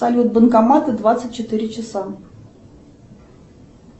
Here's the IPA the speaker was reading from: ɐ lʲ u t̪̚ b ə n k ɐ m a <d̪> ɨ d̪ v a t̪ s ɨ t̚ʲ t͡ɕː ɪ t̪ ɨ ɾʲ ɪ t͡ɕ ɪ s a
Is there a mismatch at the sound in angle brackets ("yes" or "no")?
yes